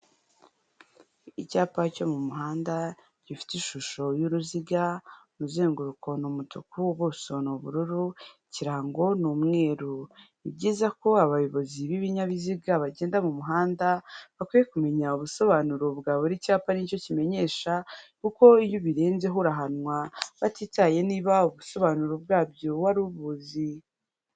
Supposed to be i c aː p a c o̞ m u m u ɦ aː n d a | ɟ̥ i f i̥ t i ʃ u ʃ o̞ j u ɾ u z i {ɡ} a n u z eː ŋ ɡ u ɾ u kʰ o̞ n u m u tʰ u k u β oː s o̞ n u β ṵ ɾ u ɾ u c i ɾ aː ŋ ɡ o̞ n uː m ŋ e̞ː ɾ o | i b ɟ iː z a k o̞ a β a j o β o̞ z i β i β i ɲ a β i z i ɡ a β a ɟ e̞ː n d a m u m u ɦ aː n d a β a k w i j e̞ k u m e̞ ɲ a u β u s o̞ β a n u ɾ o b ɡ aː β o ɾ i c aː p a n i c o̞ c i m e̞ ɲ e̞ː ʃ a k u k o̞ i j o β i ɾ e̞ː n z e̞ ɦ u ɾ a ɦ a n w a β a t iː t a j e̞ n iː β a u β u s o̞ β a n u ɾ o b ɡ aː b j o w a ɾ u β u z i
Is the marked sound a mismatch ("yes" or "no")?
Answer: no